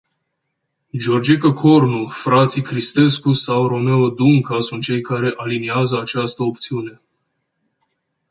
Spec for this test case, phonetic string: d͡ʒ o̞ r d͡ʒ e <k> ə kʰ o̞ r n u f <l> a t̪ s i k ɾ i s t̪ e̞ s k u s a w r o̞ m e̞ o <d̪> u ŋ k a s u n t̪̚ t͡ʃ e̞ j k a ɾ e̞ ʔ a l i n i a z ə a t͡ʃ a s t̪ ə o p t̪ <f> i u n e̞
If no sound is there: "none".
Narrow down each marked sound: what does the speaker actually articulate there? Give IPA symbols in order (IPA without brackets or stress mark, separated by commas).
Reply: k, ɾ, d̪, s